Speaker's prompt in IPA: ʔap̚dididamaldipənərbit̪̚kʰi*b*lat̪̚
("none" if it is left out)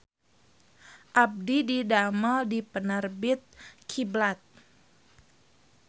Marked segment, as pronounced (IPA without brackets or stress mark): b